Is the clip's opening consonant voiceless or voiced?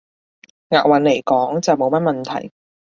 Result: voiced